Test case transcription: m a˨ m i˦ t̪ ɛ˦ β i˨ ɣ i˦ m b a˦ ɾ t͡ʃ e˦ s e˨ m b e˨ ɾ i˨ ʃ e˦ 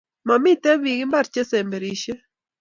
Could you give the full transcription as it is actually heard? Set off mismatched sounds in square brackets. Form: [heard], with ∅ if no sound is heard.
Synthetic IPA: m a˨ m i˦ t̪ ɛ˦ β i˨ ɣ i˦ m b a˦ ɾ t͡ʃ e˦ s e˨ m b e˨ ɾ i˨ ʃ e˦